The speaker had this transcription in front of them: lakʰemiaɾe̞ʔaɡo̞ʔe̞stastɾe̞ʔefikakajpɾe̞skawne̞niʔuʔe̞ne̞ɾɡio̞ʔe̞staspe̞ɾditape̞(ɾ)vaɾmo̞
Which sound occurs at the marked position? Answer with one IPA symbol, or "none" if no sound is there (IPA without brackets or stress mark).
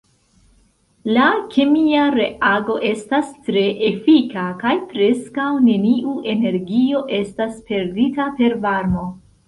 ɾ